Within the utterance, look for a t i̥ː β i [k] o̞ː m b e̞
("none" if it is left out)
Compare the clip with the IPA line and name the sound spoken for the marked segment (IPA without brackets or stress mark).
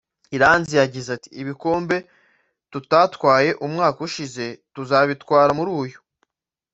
k